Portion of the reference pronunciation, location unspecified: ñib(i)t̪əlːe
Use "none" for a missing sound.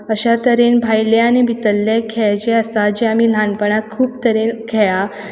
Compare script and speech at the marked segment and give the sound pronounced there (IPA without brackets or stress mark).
i